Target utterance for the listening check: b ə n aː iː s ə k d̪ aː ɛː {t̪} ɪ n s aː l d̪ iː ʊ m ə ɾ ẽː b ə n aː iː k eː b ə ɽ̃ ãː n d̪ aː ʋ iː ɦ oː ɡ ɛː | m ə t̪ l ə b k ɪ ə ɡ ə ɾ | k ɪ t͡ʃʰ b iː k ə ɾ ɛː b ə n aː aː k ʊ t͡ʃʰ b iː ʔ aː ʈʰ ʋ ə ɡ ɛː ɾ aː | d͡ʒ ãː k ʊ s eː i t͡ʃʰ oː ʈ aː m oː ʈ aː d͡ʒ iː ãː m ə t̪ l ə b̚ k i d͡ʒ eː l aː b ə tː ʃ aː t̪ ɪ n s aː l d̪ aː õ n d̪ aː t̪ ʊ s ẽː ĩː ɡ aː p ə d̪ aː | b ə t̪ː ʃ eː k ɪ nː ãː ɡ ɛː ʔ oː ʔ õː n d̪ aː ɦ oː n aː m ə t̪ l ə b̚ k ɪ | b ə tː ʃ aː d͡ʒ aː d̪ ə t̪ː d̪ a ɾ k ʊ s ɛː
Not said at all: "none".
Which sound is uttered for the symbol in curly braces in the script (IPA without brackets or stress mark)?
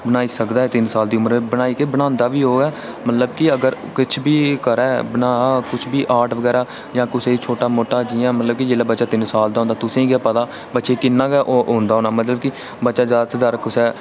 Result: t̪